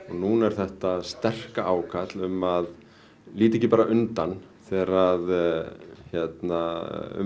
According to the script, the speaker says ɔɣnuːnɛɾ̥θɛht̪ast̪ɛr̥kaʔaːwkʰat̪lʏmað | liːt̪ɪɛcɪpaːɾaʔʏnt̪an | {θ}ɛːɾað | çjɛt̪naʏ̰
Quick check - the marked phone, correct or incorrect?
correct